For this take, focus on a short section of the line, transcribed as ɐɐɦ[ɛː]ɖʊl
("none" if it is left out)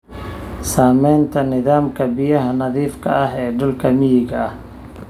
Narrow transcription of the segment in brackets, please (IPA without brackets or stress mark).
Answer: ɛː